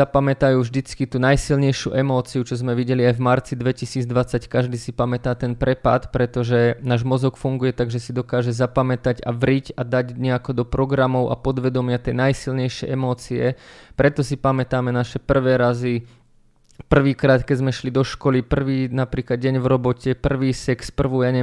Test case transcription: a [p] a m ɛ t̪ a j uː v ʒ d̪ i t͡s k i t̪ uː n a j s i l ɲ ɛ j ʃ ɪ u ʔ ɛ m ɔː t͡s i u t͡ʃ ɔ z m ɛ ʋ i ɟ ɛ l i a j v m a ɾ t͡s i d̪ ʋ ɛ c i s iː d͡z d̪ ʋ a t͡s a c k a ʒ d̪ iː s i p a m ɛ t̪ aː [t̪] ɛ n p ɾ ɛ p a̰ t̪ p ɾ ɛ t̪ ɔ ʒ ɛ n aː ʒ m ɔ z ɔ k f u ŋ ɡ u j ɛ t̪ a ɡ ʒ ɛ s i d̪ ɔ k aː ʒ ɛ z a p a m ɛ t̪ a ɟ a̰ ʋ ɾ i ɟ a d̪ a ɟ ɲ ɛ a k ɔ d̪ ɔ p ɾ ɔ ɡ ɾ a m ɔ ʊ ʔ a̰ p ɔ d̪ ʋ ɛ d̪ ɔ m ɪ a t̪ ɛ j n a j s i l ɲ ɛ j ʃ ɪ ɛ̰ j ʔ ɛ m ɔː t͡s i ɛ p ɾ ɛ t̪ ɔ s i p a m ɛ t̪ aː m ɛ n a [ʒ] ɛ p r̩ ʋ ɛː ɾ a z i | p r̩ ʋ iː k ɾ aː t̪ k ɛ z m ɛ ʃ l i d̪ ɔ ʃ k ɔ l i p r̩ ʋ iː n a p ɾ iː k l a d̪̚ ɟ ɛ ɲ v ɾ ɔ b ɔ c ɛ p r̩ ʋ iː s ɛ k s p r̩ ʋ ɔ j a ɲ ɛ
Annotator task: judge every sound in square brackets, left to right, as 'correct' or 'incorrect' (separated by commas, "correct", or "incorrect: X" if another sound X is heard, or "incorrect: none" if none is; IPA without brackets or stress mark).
correct, correct, incorrect: ʃ